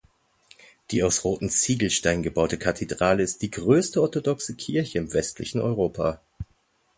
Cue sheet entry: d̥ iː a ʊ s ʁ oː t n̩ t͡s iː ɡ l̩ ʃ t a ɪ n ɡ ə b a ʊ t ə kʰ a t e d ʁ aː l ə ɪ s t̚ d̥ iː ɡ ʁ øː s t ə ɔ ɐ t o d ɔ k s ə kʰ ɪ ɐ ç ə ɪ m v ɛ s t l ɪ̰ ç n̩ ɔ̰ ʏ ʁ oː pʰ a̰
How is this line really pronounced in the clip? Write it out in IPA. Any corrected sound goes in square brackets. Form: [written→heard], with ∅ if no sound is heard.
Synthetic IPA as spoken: d̥ iː a ʊ s ʁ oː t n̩ t͡s iː ɡ l̩ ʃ t a ɪ n ɡ ə b a ʊ t ə kʰ a [t→tʰ] e d ʁ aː l ə ɪ s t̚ d̥ iː ɡ ʁ øː s t ə ɔ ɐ t o d ɔ k s ə kʰ ɪ ɐ ç ə ɪ m v ɛ s t l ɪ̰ ç n̩ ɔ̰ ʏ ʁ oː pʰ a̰